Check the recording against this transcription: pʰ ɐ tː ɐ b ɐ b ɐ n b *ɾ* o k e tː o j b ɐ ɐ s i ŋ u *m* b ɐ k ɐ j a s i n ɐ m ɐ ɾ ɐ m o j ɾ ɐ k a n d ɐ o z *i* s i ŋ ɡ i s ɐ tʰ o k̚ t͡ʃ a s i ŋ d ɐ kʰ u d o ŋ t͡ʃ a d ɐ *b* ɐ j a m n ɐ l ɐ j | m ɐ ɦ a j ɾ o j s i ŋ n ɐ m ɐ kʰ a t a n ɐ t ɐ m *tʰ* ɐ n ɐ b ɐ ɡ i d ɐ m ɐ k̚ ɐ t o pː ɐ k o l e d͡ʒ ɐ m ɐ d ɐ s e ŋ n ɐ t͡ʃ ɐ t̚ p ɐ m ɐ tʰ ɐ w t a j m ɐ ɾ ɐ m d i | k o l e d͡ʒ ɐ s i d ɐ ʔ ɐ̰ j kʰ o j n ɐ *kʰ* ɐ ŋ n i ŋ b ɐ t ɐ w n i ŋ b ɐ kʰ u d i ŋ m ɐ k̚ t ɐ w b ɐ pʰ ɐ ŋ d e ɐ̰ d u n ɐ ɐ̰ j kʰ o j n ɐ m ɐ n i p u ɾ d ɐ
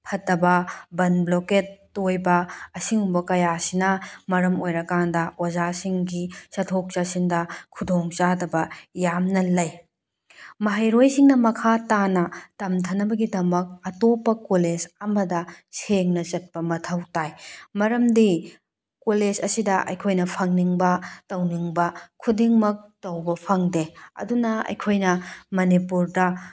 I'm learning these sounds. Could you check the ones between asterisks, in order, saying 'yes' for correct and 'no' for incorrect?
no, yes, no, yes, yes, no

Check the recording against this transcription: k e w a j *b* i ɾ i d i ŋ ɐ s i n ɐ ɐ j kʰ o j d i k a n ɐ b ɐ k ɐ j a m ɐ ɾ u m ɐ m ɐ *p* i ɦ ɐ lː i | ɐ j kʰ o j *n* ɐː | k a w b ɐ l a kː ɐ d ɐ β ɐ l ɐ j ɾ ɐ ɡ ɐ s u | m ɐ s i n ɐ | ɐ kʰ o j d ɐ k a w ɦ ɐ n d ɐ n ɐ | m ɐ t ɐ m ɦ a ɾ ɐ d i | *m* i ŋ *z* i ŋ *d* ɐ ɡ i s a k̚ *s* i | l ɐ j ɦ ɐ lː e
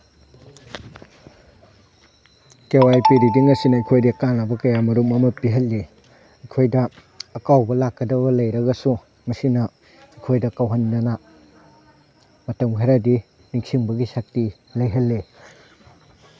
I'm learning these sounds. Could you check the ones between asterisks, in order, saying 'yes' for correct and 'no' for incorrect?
no, yes, no, no, no, no, no

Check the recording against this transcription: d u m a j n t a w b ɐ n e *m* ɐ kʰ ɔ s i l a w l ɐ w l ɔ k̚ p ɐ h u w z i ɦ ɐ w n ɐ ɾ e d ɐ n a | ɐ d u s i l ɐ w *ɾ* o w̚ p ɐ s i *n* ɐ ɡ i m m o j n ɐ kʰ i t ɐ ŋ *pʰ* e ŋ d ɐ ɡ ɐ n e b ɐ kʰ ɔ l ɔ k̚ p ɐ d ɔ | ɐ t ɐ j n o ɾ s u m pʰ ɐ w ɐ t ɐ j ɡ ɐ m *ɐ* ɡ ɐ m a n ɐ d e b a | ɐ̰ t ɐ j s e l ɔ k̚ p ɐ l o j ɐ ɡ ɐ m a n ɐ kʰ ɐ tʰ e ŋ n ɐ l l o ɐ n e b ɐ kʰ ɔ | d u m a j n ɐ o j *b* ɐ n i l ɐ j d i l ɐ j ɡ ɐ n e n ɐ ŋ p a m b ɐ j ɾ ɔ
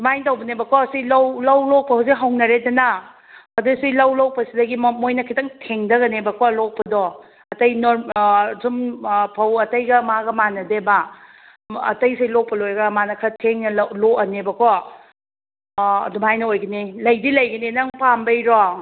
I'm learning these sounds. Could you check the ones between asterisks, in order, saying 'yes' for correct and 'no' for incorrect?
no, no, no, no, no, no

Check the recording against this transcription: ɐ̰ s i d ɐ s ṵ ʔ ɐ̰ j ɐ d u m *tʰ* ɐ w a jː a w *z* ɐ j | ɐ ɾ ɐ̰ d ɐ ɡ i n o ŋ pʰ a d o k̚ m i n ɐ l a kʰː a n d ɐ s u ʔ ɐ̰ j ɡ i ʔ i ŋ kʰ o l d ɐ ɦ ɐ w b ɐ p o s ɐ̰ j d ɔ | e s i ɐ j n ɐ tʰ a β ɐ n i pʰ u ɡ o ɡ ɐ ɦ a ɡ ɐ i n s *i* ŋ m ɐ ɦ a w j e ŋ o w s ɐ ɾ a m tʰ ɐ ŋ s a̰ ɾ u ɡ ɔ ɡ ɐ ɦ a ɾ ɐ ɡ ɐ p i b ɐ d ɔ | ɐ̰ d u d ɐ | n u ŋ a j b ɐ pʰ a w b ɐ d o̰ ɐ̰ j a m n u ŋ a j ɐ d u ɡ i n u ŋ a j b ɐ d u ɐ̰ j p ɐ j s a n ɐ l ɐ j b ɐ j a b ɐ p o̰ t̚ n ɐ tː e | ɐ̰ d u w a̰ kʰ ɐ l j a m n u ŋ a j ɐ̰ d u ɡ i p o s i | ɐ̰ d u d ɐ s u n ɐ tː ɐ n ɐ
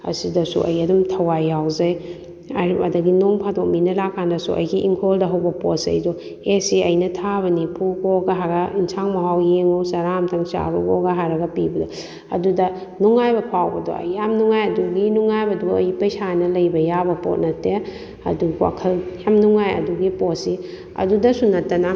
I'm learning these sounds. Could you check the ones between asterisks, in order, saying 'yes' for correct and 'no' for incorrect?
yes, yes, no

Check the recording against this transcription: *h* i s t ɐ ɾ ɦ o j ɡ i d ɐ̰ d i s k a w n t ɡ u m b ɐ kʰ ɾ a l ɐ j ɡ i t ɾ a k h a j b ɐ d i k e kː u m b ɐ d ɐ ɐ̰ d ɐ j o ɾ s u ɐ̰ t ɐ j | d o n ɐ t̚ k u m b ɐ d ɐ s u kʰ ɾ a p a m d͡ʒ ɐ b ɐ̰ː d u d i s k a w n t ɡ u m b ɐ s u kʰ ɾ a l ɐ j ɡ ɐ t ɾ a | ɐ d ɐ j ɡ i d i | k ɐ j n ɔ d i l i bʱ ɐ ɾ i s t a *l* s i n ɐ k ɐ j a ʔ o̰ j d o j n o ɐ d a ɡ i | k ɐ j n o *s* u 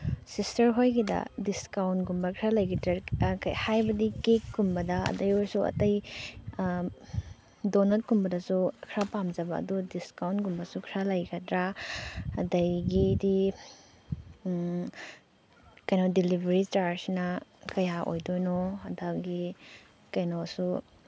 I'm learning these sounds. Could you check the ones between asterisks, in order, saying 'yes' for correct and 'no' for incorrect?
no, no, yes

